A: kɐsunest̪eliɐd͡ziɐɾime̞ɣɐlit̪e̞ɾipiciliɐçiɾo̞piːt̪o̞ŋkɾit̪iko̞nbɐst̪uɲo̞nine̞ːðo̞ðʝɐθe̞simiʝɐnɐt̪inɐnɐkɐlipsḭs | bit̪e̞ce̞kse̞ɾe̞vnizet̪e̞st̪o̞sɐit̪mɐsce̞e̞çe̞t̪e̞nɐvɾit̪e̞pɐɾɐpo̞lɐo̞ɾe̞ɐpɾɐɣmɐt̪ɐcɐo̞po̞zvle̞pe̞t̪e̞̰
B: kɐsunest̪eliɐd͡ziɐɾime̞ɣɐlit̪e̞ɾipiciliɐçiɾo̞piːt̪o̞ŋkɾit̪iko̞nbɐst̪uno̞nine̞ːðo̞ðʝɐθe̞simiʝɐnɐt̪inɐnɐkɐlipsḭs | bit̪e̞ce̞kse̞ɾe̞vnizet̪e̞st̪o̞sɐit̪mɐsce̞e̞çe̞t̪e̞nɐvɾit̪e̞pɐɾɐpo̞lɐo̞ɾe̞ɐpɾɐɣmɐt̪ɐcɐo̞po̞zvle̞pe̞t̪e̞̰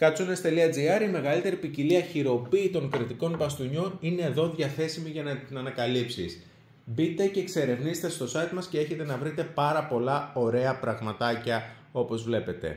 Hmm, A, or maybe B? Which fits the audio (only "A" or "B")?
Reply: A